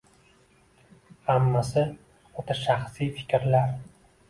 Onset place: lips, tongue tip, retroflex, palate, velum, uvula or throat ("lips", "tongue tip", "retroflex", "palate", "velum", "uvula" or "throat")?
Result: throat